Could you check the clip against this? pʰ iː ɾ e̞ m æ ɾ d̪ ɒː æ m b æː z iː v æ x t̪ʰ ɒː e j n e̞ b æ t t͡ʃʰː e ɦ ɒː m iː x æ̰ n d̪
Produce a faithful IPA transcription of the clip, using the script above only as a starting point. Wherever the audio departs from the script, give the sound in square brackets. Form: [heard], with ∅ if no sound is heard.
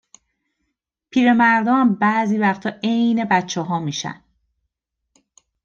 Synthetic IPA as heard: pʰ iː ɾ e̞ m æ ɾ d̪ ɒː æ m b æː z iː v æ x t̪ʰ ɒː e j n e̞ b æ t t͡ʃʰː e ɦ ɒː m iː [ʃ] æ̰ n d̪